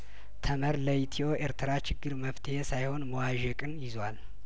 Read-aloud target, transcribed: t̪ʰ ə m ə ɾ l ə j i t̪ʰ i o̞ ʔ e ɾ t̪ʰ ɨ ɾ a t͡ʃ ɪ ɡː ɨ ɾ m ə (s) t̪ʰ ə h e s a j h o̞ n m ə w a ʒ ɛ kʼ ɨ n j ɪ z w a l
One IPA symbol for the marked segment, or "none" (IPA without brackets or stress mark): f